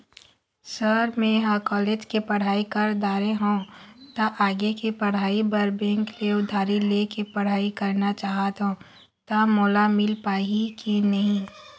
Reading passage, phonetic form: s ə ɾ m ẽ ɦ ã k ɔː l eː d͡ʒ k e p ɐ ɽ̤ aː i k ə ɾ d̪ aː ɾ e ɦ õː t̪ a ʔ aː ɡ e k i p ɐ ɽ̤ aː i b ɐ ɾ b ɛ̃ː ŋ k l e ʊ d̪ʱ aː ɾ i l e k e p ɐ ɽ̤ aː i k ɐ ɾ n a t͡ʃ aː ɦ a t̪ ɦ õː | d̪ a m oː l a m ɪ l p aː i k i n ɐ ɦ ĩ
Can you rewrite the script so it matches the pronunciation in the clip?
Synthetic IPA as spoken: s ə ɾ m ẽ ɦ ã k ɔː l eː d͡ʒ k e p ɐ ɽ̤ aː i k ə ɾ d̪ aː ɾ e ɦ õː t̪ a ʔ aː ɡ e k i p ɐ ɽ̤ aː i b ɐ ɾ b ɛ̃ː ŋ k l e ʊ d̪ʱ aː ɾ i l e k e p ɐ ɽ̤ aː i k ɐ ɾ n a t͡ʃ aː ɦ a t̪ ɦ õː | t̪ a m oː l a m ɪ l p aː i k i n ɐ ɦ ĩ